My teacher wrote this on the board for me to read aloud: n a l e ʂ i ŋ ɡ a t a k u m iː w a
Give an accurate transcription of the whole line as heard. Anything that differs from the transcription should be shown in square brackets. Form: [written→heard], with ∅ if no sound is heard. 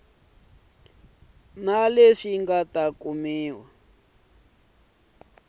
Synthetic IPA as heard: n a l e ʂ i ŋ ɡ a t a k u m iː w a